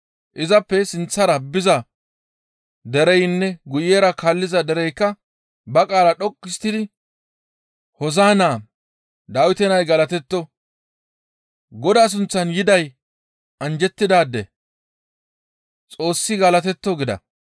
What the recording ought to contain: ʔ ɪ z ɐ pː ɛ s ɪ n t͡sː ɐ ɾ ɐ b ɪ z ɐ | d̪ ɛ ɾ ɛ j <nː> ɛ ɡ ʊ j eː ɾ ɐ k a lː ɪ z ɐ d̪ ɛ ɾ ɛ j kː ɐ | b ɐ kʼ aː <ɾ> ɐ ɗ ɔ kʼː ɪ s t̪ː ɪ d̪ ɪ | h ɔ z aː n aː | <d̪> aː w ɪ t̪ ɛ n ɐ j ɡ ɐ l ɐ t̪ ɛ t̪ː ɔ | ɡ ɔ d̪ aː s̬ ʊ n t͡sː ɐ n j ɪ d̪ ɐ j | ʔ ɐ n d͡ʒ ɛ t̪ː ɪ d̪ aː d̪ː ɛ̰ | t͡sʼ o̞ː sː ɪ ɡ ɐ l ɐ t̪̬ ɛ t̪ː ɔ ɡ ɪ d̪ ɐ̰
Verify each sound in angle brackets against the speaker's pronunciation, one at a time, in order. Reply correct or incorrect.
correct, incorrect: l, correct

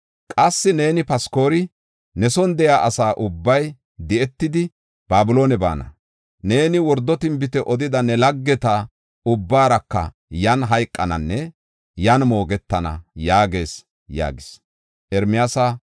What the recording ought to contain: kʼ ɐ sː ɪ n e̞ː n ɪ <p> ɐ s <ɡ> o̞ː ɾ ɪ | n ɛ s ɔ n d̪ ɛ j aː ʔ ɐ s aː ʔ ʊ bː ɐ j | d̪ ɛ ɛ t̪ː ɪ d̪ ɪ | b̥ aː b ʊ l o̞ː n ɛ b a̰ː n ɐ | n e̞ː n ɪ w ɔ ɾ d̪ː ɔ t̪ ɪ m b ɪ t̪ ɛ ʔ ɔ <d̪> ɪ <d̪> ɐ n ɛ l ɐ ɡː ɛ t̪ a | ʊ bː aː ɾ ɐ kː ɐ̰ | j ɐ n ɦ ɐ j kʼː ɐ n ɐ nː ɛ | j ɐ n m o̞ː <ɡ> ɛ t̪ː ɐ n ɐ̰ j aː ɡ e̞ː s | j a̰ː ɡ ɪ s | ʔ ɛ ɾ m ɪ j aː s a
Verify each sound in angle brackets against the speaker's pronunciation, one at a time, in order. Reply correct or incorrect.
correct, incorrect: k, correct, correct, correct

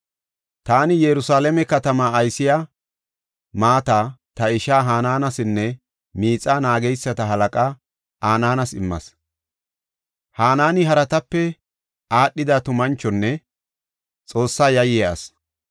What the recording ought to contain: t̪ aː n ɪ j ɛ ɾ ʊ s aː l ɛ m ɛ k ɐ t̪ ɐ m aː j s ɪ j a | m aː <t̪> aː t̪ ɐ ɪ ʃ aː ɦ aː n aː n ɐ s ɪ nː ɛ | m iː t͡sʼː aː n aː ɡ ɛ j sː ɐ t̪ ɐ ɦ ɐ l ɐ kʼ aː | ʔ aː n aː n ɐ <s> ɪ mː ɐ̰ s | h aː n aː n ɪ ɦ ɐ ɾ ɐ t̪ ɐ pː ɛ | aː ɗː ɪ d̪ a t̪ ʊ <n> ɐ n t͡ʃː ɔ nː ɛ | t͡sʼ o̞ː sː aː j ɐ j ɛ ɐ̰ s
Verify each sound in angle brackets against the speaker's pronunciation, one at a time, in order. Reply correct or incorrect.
correct, correct, incorrect: m

